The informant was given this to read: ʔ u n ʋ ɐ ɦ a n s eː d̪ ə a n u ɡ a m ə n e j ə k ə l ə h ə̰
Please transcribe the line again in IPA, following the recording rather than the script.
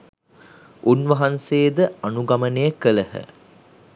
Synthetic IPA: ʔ u n ʋ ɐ ɦ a n s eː d̪ ə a n u ɡ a m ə n e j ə k ə l ə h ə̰